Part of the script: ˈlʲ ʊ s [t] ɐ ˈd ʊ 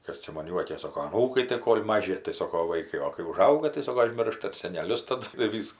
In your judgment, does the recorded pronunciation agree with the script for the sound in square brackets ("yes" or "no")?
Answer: yes